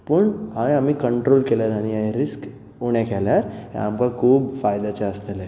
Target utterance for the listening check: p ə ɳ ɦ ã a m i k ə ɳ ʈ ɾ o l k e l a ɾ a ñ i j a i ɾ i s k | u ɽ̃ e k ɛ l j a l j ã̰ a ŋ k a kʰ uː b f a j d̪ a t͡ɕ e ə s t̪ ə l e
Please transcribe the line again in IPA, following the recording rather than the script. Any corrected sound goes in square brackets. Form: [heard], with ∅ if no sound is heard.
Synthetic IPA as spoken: p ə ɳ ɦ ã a m i k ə ɳ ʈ ɾ o l k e l a ɾ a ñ i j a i ɾ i s k | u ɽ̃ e k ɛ l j a [ɾ] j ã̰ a [m] k a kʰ uː b f a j d̪ a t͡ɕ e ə s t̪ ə l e